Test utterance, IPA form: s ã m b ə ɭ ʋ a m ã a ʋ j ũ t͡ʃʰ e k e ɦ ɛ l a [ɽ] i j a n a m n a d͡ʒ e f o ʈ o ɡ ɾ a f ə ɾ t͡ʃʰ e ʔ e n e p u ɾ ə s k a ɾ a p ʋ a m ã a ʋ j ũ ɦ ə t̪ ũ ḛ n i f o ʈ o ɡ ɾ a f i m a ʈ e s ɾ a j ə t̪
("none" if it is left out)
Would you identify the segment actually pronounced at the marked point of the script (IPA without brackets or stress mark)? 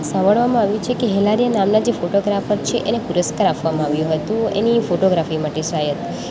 ɾ